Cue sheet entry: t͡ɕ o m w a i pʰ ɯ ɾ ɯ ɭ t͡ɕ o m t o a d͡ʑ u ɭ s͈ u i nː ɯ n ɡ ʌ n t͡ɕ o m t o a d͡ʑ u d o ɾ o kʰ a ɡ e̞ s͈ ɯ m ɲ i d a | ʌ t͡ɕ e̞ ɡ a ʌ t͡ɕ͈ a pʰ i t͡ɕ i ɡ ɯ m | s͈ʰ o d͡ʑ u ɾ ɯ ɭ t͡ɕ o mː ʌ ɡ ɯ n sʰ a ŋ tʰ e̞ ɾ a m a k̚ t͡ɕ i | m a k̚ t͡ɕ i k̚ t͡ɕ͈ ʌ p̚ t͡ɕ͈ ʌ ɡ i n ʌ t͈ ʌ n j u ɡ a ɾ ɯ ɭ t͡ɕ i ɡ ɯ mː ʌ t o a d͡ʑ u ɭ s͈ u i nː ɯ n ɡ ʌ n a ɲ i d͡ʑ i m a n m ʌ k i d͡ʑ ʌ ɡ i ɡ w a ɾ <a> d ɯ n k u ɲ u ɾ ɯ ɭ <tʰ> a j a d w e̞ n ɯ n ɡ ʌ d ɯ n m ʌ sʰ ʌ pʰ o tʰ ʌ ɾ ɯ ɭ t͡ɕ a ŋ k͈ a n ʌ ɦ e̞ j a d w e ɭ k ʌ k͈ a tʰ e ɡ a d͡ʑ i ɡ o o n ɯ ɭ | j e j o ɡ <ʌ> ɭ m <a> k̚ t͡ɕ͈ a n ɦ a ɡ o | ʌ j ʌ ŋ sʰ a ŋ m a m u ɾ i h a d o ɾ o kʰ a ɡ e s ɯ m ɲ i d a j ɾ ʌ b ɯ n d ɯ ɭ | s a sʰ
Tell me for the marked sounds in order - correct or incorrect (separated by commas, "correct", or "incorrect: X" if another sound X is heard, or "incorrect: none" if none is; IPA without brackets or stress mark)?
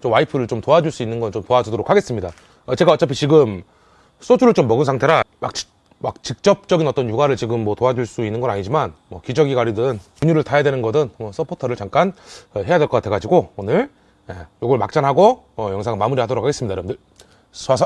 incorrect: i, correct, correct, correct